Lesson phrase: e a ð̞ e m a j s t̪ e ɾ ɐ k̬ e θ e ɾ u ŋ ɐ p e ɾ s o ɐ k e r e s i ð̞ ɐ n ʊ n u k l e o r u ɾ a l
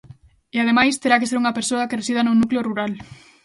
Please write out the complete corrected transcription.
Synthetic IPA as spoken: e a ð̞ e m a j s t̪ e ɾ a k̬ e s e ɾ u ŋ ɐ p e ɾ s o ɐ k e r e s i ð̞ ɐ n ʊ n u k l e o r u ɾ a l